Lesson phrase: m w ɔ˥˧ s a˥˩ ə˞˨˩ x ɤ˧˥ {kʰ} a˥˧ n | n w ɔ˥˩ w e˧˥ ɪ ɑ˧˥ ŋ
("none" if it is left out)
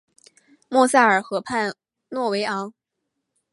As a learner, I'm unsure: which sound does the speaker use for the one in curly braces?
pʰ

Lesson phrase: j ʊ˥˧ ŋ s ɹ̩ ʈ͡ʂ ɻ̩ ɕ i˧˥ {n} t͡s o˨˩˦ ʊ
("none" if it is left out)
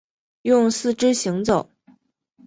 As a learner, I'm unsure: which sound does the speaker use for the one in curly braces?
ŋ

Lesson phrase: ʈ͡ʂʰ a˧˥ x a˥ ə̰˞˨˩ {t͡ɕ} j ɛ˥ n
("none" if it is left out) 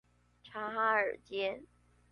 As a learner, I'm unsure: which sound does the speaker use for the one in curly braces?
t͡ɕ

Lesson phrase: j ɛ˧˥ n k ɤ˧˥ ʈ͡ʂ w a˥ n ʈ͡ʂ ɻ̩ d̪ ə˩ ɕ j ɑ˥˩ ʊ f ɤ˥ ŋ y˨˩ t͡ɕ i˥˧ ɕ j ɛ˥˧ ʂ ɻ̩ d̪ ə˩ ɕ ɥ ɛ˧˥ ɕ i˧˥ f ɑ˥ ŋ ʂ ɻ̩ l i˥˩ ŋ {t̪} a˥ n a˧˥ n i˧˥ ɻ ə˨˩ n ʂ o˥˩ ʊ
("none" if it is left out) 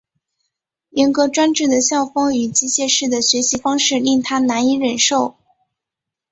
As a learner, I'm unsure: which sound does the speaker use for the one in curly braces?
t̪ʰ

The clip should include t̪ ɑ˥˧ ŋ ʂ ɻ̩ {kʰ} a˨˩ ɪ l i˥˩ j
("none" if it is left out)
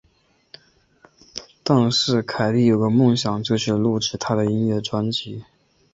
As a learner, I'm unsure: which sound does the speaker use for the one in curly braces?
kʰ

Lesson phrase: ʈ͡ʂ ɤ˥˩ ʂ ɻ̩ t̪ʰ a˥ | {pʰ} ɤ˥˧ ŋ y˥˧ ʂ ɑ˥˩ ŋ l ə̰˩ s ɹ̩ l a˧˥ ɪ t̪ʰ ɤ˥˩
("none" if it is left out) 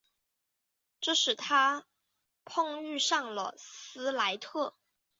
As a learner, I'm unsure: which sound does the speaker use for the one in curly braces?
pʰ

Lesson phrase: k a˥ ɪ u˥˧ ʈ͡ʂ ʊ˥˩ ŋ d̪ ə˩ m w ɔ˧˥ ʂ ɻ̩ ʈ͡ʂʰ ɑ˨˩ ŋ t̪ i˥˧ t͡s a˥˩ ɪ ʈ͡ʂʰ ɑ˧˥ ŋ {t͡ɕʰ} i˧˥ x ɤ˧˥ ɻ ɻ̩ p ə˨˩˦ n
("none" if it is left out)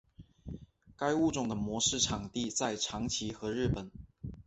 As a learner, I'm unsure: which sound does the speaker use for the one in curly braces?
t͡ɕʰ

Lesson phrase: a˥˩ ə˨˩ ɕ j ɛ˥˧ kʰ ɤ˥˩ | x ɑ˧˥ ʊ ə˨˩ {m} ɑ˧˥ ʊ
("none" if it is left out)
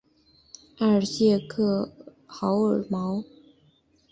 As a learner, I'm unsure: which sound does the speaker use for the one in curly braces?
m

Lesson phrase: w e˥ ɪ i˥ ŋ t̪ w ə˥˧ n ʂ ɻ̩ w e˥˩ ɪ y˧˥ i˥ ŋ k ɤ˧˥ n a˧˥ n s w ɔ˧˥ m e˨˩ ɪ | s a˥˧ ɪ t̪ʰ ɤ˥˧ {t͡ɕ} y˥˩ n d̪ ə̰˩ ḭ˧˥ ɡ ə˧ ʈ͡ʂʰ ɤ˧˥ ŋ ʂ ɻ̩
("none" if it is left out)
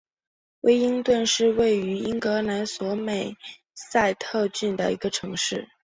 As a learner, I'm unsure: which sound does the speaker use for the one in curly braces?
t͡ɕ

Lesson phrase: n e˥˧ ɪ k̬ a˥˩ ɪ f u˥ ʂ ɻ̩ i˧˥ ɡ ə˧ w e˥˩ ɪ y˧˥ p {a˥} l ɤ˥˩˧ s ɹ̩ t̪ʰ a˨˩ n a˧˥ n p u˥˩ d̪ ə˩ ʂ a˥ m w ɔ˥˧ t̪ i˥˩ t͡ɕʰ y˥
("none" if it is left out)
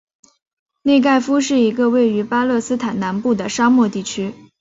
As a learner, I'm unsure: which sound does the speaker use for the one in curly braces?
a˥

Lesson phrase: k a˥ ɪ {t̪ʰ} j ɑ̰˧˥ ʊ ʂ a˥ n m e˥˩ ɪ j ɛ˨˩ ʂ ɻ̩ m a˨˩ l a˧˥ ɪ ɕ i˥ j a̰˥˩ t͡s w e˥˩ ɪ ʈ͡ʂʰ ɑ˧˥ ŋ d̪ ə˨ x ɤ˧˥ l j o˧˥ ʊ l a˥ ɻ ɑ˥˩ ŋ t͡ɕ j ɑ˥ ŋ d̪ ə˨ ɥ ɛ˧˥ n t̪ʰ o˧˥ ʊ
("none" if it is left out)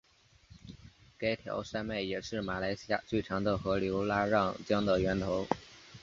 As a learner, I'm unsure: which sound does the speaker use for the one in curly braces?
t̪ʰ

